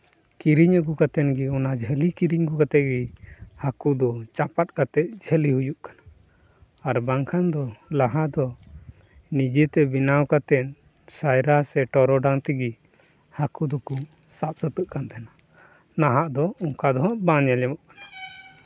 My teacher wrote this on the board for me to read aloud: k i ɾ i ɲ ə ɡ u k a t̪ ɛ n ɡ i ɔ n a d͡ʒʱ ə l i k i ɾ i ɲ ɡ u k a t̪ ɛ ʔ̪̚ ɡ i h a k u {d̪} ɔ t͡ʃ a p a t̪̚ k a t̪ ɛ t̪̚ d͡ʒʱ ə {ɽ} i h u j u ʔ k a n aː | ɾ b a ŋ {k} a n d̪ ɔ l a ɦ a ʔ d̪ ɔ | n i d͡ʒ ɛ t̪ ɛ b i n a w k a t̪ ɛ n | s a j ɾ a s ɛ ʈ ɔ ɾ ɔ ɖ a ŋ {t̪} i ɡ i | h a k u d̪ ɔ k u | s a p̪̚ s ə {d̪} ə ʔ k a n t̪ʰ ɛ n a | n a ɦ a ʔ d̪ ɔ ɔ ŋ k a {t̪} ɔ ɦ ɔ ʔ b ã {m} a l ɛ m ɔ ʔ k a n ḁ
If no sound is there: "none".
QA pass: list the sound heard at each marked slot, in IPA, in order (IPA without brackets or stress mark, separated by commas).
d̪, l, kʰ, t̪, t̪, d̪, ɲ